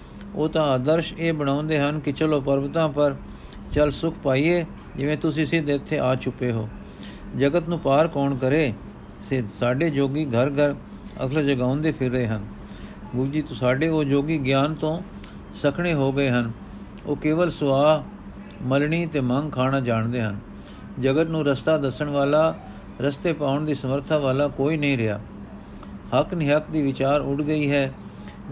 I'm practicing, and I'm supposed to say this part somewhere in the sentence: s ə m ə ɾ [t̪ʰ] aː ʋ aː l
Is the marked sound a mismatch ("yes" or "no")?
no